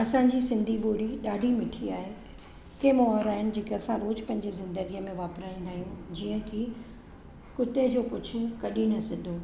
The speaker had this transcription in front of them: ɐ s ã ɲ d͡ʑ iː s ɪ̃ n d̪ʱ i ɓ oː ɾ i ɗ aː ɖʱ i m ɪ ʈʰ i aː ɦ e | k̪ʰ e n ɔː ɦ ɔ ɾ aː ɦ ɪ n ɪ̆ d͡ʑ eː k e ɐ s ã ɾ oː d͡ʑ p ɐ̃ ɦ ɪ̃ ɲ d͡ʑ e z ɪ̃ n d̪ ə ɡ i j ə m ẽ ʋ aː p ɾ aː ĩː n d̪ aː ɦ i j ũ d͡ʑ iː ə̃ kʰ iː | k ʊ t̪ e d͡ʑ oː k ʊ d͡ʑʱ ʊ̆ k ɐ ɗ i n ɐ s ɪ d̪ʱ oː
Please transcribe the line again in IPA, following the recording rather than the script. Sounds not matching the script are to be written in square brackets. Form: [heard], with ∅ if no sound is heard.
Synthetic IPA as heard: ɐ s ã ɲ d͡ʑ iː s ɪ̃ n d̪ʱ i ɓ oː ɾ i ɗ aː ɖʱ i m ɪ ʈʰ i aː ɦ e | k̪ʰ e [m] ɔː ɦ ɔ ɾ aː ɦ ɪ n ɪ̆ d͡ʑ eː k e ɐ s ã ɾ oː d͡ʑ p ɐ̃ ɦ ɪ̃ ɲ d͡ʑ e z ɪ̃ n d̪ ə ɡ i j ə m ẽ ʋ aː p ɾ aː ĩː n d̪ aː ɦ i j ũ d͡ʑ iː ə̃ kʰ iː | k ʊ t̪ e d͡ʑ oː k ʊ d͡ʑʱ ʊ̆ k ɐ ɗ i n ɐ s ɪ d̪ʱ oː

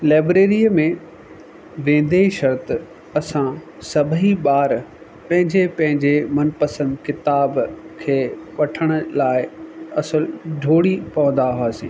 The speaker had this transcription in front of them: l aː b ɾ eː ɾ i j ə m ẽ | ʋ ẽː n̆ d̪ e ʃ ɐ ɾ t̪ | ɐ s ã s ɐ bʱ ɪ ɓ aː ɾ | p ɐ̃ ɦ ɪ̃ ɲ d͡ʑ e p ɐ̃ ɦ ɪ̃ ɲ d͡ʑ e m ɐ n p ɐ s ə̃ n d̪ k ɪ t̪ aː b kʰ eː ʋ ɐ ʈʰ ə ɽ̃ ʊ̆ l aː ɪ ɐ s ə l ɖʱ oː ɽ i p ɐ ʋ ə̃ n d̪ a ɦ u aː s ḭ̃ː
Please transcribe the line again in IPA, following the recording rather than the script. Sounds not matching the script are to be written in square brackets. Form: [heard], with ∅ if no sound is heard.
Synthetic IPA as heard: l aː b ɾ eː ɾ i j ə m ẽ | ʋ ẽː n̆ d̪ e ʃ ɐ ɾ t̪ | ɐ s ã s ɐ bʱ [i] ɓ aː ɾ | p ɐ̃ ɦ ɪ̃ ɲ d͡ʑ e p ɐ̃ ɦ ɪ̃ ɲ d͡ʑ e m ɐ n p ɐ s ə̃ n d̪ k ɪ t̪ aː b kʰ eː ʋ ɐ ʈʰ ə ɽ̃ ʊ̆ l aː ɪ ɐ s ə l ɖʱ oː ɽ i p ɐ ʋ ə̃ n d̪ a ɦ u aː s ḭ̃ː

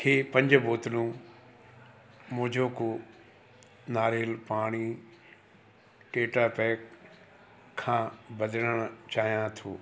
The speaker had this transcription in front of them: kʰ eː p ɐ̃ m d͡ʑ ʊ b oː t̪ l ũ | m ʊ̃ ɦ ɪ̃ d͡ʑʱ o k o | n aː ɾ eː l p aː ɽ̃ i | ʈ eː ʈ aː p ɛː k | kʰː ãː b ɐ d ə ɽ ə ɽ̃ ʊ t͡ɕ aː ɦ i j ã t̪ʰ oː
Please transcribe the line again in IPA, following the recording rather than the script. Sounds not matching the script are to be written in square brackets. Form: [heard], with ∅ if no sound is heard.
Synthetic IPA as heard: kʰ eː p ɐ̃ [ɲ] d͡ʑ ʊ b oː t̪ l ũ | m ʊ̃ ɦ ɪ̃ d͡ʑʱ o k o | n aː ɾ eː l p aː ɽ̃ i | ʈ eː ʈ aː p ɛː k | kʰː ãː b ɐ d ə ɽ ə ɽ̃ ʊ t͡ɕ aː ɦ i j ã t̪ʰ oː

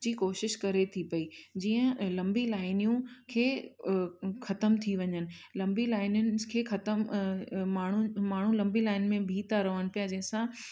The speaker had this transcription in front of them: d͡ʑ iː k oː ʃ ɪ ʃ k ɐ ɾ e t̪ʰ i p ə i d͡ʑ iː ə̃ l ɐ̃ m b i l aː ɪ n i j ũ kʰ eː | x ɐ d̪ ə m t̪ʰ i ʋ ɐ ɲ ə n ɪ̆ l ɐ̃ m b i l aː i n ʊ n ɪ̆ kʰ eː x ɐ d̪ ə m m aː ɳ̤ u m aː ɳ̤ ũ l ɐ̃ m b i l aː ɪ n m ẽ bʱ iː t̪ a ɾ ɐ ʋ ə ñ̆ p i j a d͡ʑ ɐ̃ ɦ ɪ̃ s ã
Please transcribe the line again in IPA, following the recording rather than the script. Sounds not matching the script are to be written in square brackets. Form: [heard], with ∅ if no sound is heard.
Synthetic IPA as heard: d͡ʑ iː k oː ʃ ɪ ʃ k ɐ ɾ e t̪ʰ i p [ɐ] i d͡ʑ iː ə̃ l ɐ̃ m b i l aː ɪ n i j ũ kʰ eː | x ɐ [t̪] ə m t̪ʰ i ʋ ɐ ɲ ə n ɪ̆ l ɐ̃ m b i l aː [ɪ] n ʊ n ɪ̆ kʰ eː x ɐ [t̪] ə m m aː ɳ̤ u m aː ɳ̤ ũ l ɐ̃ m b i l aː ɪ n m ẽ bʱ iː t̪ a ɾ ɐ ʋ ə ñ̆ p i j a d͡ʑ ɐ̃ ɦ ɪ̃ s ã

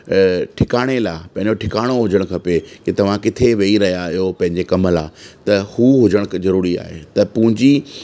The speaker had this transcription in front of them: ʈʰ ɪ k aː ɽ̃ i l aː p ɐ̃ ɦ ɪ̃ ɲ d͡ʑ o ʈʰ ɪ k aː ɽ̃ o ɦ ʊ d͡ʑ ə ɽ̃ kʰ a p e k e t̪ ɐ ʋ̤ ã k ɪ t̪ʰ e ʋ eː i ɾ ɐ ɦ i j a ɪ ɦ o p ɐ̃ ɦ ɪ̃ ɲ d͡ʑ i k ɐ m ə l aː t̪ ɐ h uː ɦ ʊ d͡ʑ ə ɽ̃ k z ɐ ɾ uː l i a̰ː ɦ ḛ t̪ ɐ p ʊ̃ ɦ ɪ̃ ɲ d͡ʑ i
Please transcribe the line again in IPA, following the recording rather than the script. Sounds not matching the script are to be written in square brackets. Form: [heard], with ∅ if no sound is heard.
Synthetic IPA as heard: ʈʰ ɪ k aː ɽ̃ [e] l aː p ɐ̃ ɦ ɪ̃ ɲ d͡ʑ o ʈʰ ɪ k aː ɽ̃ o ɦ ʊ d͡ʑ ə ɽ̃ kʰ [ɐ] p e k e t̪ ɐ ʋ̤ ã k ɪ t̪ʰ e ʋ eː i ɾ ɐ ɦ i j a ɪ ɦ o p ɐ̃ ɦ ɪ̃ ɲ d͡ʑ [e] k ɐ m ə l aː t̪ ɐ h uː ɦ ʊ d͡ʑ ə ɽ̃ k z ɐ ɾ uː [ɾ] i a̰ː ɦ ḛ t̪ ɐ p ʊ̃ ɦ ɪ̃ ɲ d͡ʑ i

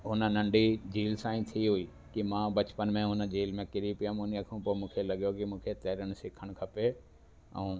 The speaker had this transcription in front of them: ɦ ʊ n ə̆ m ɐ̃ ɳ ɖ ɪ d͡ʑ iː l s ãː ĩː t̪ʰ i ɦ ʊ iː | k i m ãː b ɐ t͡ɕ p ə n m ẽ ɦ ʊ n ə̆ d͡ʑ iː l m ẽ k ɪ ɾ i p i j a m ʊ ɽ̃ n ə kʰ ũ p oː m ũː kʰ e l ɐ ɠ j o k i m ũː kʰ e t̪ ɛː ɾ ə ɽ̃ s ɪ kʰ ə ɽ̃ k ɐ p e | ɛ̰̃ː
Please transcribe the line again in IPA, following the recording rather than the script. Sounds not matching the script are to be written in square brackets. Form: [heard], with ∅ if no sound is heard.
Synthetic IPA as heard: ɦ ʊ n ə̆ [n] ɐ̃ ɳ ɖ [i] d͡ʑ iː l s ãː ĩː t̪ʰ i ɦ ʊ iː | k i m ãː b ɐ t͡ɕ p ə n m ẽ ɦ ʊ n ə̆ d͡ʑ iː l m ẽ k ɪ ɾ i p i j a m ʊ [∅] n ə kʰ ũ p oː m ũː kʰ e l ɐ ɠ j o k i m ũː kʰ e t̪ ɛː ɾ ə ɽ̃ s ɪ kʰ ə ɽ̃ [kʰ] ɐ p e | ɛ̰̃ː

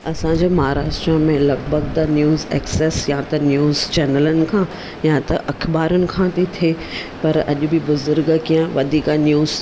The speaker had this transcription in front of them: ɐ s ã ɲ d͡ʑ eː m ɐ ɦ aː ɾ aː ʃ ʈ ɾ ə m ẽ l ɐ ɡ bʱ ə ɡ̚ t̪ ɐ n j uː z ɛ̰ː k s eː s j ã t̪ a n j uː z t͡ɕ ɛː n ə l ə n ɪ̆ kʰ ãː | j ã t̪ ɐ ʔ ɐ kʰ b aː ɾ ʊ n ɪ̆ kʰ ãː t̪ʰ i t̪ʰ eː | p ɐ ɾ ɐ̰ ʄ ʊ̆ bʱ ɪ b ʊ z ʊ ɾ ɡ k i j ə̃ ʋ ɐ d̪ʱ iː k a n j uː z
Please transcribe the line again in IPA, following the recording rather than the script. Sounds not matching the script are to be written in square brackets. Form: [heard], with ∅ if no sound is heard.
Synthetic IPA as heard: ɐ s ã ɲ d͡ʑ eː m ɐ ɦ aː ɾ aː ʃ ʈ ɾ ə m ẽ l ɐ ɡ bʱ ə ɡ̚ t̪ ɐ n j uː z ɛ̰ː k s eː s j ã t̪ [ɐ] n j uː z t͡ɕ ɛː n ə l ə n ɪ̆ kʰ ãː | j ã t̪ ɐ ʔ ɐ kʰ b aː ɾ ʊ n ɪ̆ kʰ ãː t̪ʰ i t̪ʰ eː | p ɐ ɾ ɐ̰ ʄ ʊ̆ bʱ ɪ b ʊ z ʊ ɾ ɡ k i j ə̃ ʋ ɐ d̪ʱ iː k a n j uː z

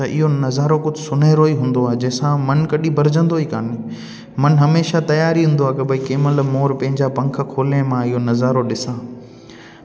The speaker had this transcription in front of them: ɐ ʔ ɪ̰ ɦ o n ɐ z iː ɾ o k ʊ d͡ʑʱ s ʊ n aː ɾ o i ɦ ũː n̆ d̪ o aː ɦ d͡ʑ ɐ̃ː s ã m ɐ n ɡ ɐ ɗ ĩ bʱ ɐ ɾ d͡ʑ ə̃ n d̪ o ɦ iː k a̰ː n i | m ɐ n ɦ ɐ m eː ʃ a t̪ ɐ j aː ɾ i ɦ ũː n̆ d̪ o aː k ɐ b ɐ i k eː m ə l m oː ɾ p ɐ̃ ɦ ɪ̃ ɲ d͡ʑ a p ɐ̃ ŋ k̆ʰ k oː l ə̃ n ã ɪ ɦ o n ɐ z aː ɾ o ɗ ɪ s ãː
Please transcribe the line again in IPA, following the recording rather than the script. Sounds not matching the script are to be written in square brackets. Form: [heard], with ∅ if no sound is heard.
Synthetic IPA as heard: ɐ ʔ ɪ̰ ɦ o n ɐ z [aː] ɾ o k ʊ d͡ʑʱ s ʊ n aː ɾ o i ɦ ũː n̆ d̪ o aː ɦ d͡ʑ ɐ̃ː s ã m ɐ n [k] ɐ ɗ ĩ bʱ ɐ ɾ d͡ʑ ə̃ n d̪ o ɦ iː k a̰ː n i | m ɐ n ɦ ɐ m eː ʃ a t̪ ɐ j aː ɾ i ɦ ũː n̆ d̪ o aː k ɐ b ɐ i k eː m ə l m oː ɾ p ɐ̃ ɦ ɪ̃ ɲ d͡ʑ a p ɐ̃ ŋ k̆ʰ [kʰ] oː l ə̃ [m] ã ɪ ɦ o n ɐ z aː ɾ o ɗ ɪ s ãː

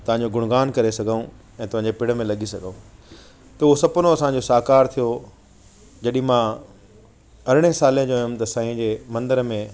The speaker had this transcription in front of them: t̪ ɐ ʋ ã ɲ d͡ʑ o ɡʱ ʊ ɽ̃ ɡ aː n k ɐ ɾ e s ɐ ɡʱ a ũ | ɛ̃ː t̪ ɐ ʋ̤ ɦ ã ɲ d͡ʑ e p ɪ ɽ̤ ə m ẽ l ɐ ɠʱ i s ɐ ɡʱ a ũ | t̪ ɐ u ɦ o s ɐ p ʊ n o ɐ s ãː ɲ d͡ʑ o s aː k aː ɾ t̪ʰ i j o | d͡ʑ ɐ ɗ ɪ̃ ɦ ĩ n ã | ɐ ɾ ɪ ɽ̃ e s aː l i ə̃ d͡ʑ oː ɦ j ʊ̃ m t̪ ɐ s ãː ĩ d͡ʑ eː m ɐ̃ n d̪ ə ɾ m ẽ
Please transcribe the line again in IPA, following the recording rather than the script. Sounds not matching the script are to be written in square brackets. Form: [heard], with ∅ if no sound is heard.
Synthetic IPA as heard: t̪ ɐ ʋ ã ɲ d͡ʑ o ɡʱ ʊ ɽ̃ ɡ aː n k ɐ ɾ e s ɐ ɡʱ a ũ | ɛ̃ː t̪ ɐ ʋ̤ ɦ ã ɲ d͡ʑ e p ɪ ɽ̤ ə m ẽ l ɐ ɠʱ i s ɐ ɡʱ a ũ | t̪ ɐ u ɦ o s ɐ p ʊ n o ɐ s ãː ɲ d͡ʑ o s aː k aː ɾ t̪ʰ i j o | d͡ʑ ɐ ɗ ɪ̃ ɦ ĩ [m] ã | ɐ ɾ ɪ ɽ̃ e s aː l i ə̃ d͡ʑ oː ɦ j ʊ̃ m t̪ ɐ s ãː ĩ d͡ʑ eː m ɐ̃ n d̪ ə ɾ m ẽ

